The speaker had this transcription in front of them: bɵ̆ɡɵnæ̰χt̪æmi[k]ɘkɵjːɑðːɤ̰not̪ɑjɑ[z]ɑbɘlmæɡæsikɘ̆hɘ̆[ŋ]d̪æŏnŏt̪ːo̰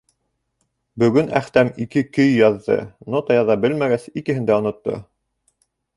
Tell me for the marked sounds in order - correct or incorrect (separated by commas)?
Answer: correct, incorrect, incorrect